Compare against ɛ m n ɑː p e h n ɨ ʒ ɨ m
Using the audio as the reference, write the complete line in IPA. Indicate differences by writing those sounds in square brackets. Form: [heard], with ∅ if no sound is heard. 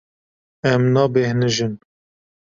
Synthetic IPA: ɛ m n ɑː [b] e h n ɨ ʒ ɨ [n]